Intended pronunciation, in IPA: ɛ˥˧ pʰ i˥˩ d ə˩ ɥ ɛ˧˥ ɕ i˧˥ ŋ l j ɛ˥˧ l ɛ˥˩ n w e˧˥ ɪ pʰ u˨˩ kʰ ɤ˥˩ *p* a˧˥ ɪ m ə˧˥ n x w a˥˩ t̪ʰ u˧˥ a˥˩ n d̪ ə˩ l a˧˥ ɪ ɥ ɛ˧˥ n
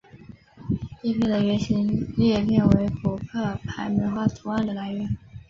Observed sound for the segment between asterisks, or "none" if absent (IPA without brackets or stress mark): pʰ